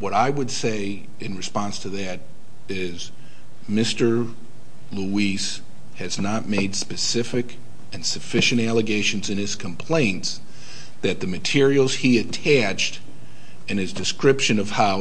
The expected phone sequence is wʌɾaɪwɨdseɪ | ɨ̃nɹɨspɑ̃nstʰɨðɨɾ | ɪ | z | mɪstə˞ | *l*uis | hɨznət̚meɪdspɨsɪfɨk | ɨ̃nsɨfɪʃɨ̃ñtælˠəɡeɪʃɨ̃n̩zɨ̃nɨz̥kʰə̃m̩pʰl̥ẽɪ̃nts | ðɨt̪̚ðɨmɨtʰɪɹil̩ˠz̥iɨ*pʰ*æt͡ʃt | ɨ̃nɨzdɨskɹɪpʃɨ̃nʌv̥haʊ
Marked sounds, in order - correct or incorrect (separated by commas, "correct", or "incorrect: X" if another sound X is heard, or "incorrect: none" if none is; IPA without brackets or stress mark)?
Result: correct, incorrect: tʰ